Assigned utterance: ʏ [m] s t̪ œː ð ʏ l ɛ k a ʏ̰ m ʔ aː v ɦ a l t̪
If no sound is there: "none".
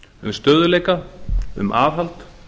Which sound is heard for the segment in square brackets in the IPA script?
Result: m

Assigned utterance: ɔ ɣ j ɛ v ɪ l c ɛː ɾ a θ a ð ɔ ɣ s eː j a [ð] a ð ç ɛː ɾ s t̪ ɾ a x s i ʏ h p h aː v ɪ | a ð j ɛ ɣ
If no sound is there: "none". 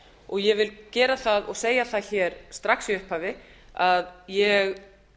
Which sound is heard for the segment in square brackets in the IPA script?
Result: θ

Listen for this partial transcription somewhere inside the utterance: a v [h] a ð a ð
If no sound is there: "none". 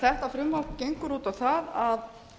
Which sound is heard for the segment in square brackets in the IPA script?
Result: θ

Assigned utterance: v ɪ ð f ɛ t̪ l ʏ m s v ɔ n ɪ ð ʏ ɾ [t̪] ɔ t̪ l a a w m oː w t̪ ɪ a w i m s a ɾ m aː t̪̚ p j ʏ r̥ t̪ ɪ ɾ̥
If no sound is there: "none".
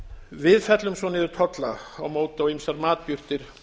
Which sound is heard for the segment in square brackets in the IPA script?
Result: t̪ʰ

